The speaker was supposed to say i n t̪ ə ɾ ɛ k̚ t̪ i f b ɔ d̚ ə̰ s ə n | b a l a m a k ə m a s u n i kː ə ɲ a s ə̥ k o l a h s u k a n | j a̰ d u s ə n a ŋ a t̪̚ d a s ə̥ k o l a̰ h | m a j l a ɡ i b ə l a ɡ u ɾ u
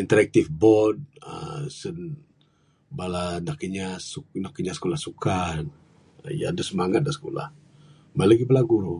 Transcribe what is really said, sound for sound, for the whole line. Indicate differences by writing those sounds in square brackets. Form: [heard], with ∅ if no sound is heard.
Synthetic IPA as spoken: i n t̪ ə ɾ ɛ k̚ t̪ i f b ɔ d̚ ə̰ s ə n | b a l a [n] a k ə [ɲ] a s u n [a] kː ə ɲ a s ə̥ k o l a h s u k a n | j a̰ d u s ə [m] a ŋ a t̪̚ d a s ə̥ k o l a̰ h | m a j l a ɡ i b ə l a ɡ u ɾ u